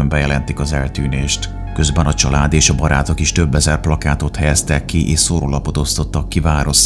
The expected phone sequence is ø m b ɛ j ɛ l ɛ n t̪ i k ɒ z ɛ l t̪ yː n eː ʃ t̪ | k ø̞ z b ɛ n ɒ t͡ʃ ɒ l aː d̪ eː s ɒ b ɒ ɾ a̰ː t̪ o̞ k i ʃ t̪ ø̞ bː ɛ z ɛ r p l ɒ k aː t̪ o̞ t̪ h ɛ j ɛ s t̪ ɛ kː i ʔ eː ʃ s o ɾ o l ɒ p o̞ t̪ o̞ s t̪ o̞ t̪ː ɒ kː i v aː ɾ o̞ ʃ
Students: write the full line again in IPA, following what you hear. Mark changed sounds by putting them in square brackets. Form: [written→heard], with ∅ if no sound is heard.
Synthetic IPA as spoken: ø m b ɛ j ɛ l ɛ n t̪ i k ɒ z ɛ l t̪ yː n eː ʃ t̪ | k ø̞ z b ɛ n ɒ t͡ʃ ɒ l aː d̪ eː [s→ʃ] ɒ b ɒ ɾ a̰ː t̪ o̞ k i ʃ t̪ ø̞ bː ɛ z ɛ r p l ɒ k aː t̪ o̞ t̪ h ɛ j ɛ s t̪ ɛ kː i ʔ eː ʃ s o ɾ o l ɒ p o̞ t̪ o̞ s t̪ o̞ t̪ː ɒ kː i v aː ɾ o̞ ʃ